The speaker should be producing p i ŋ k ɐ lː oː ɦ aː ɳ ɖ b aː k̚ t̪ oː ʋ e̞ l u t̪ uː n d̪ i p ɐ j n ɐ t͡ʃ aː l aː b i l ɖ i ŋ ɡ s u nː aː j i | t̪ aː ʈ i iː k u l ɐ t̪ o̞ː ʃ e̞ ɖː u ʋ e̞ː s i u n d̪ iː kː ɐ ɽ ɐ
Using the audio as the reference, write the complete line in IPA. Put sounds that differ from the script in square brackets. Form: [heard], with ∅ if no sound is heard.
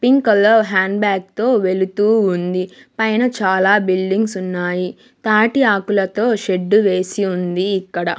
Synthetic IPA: p i ŋ k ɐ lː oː ɦ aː ɳ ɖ b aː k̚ t̪ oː ʋ e̞ l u t̪ uː n d̪ i p ɐ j n ɐ t͡ʃ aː l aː b i l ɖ i ŋ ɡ s u nː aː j i | t̪ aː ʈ i [aː] k u l ɐ t̪ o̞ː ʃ e̞ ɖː u ʋ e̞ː s i u n d̪ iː kː ɐ ɽ ɐ